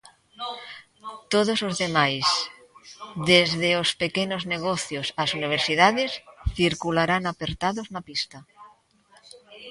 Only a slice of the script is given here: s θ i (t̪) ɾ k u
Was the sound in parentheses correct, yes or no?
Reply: no